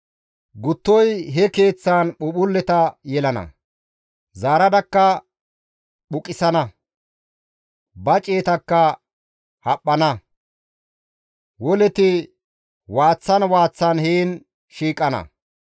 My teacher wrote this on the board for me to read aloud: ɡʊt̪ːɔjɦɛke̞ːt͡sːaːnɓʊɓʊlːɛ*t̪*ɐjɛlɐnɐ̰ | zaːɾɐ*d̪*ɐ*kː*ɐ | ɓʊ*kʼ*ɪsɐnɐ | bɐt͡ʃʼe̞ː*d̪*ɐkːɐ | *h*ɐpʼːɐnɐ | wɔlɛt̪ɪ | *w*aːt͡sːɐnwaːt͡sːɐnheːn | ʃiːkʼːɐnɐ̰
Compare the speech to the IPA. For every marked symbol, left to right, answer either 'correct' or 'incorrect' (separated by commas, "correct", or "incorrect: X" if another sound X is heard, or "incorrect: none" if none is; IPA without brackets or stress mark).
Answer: correct, correct, correct, correct, incorrect: t̪, correct, correct